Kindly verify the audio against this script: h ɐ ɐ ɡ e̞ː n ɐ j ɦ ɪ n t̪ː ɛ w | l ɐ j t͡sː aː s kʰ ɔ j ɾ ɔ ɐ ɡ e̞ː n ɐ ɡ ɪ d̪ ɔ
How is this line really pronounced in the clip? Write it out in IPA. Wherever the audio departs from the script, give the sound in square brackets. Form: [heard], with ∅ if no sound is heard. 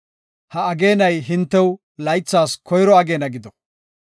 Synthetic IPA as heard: h ɐ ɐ ɡ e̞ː n ɐ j ɦ ɪ n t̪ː ɛ w | l ɐ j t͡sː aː s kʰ ɔ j ɾ ɔ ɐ ɡ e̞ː n ɐ ɡ ɪ d̪ ɔ